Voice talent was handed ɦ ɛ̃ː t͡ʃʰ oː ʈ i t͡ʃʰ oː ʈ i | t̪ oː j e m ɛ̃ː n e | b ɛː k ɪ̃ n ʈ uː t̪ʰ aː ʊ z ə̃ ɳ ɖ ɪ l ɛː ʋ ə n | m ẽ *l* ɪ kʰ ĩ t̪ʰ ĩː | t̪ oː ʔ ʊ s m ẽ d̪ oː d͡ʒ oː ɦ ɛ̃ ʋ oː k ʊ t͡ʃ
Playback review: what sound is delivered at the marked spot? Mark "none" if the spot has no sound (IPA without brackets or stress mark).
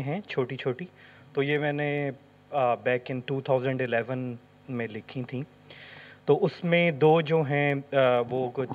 l